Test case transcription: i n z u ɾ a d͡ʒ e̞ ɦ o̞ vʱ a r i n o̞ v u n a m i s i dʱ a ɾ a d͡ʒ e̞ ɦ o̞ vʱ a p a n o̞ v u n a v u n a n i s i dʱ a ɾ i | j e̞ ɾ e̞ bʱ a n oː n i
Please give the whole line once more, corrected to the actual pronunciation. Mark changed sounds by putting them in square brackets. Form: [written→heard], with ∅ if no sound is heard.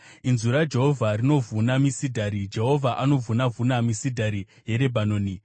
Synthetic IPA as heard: i n z u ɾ a d͡ʒ e̞ ɦ o̞ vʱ a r i n o̞ v u n a m i s i dʱ a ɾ [a→i] d͡ʒ e̞ ɦ o̞ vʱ a [p→ʔ] a n o̞ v u n a v u n a [n→m] i s i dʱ a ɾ i | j e̞ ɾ e̞ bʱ a n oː n i